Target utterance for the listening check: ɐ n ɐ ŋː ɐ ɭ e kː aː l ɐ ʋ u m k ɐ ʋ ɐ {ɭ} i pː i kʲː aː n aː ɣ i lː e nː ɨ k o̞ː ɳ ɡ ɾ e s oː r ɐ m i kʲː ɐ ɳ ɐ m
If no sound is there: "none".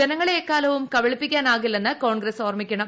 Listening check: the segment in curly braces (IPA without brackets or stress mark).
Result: ɭ